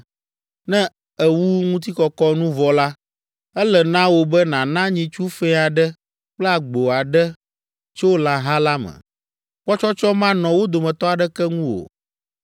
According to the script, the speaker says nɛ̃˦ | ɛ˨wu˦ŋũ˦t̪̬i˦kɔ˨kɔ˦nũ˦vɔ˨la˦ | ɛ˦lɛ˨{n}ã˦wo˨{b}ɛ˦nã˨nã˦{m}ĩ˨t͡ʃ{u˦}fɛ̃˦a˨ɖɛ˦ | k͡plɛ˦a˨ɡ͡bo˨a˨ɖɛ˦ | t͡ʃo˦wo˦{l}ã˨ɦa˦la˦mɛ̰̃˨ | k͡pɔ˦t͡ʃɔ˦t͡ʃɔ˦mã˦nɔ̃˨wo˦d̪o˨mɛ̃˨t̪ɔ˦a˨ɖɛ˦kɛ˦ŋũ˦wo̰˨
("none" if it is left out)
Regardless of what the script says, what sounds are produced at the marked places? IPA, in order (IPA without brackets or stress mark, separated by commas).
n, b, ɲ, u˦, l